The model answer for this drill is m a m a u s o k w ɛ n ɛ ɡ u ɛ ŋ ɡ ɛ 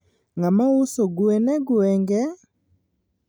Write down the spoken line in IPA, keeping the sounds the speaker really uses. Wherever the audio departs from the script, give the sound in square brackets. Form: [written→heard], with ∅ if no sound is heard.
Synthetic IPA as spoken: [m→ŋ] a m a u s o [k→ɡ] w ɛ n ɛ ɡ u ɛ ŋ ɡ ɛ